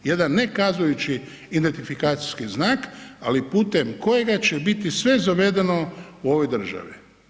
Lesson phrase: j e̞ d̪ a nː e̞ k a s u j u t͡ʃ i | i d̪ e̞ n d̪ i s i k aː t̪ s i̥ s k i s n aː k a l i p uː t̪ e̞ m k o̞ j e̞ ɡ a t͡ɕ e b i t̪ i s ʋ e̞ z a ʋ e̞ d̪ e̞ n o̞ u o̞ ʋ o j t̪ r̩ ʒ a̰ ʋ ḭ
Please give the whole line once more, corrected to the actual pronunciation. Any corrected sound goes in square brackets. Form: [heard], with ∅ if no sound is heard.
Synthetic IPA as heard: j e̞ d̪ a nː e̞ k a [z] u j u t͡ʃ i | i d̪ e̞ n [t̪] i [f] i k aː t̪ s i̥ s k i [z] n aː k a l i p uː t̪ e̞ m k o̞ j e̞ ɡ a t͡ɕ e b i t̪ i s ʋ e̞ z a ʋ e̞ d̪ e̞ n o̞ u o̞ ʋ o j [d̪] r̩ ʒ a̰ ʋ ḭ